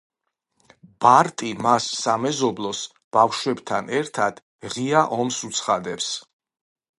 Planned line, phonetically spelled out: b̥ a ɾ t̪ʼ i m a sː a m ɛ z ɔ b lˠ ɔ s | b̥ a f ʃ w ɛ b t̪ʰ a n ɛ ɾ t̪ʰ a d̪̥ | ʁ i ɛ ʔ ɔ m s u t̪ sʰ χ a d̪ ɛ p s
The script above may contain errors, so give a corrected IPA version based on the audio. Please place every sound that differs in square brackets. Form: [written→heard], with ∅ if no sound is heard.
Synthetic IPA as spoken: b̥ a ɾ t̪ʼ i m a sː a m ɛ z ɔ b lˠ ɔ s | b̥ a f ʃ w ɛ b t̪ʰ a n ɛ ɾ t̪ʰ a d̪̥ | ʁ i [ɛ→a] ʔ ɔ m s u t̪ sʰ χ a d̪ ɛ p s